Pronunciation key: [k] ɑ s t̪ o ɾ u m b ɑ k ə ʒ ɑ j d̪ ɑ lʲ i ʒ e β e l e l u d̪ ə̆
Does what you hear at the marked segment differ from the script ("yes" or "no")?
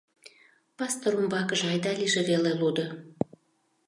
yes